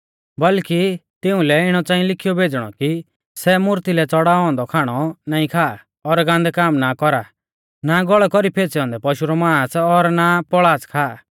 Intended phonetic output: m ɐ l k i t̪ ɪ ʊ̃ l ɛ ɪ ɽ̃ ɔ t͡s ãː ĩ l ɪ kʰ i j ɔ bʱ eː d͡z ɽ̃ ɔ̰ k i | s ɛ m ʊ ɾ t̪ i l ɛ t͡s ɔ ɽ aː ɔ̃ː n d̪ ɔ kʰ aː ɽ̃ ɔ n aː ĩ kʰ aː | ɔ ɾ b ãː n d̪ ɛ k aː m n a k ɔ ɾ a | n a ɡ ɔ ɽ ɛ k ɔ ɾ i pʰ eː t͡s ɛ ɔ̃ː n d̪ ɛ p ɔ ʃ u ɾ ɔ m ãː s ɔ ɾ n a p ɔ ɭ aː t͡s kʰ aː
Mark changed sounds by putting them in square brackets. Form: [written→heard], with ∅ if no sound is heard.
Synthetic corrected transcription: [m→b] ɐ l k i t̪ ɪ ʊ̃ l ɛ ɪ ɽ̃ ɔ t͡s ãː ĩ l ɪ kʰ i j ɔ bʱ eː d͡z ɽ̃ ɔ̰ k i | s ɛ m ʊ ɾ t̪ i l ɛ t͡s ɔ ɽ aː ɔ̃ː n d̪ ɔ kʰ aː ɽ̃ ɔ n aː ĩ kʰ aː | ɔ ɾ [b→ɡ] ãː n d̪ ɛ k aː m n a k ɔ ɾ a | n a ɡ ɔ [ɽ→ɭ] ɛ k ɔ ɾ i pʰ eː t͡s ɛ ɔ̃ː n d̪ ɛ p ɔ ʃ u ɾ ɔ m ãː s ɔ ɾ n a p ɔ ɭ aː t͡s kʰ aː